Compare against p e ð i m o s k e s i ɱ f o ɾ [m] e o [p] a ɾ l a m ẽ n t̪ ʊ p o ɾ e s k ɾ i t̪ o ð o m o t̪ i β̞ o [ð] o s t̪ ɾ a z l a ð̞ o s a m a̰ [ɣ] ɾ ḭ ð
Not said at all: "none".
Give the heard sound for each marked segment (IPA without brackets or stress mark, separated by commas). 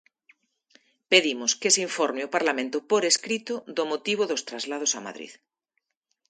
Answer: m, p, ð, ð